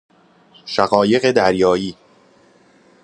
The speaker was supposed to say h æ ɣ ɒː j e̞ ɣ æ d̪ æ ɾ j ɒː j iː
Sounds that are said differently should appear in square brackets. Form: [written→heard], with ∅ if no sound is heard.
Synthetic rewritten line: [h→ʃ] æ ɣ ɒː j e̞ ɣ [æ→e] d̪ æ ɾ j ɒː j iː